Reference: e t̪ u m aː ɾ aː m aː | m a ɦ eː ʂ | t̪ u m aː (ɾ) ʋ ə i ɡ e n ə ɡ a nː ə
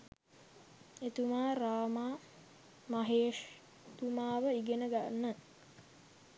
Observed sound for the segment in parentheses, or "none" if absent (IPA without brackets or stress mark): none